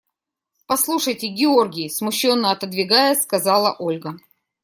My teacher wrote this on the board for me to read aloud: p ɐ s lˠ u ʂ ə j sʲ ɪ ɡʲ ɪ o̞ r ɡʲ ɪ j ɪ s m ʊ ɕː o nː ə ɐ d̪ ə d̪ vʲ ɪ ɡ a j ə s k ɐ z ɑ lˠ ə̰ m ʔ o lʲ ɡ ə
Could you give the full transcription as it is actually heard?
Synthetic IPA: p ɐ s lˠ u ʂ ə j tʲ ɪ ɡʲ ɪ o̞ r ɡʲ ɪ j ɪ s m ʊ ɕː o nː ə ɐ t̪ ə d̪ vʲ ɪ ɡ a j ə s k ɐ z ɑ lˠ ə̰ ʔ o lʲ ɡ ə